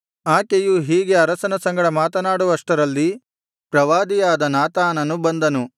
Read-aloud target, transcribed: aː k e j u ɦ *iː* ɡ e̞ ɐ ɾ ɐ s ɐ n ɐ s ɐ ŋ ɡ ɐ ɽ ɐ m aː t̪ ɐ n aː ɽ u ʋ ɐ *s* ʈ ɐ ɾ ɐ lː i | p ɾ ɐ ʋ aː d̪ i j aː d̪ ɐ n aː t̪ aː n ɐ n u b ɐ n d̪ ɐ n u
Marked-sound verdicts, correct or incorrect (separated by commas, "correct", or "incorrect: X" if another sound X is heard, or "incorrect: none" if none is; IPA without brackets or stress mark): correct, incorrect: ʂ